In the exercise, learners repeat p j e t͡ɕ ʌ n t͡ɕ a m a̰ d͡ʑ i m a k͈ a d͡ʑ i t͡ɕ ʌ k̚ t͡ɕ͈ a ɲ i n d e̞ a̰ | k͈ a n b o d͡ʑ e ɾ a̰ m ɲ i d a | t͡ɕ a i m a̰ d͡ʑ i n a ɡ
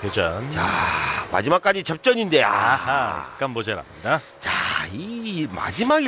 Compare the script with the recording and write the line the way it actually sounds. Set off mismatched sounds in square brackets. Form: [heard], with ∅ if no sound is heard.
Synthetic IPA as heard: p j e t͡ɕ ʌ n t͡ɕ a m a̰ d͡ʑ i m a k͈ a d͡ʑ i t͡ɕ ʌ [p̚] t͡ɕ͈ [ʌ] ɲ i n d e̞ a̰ | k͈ a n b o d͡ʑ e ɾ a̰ m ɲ i d a | t͡ɕ a i m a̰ d͡ʑ i [m] a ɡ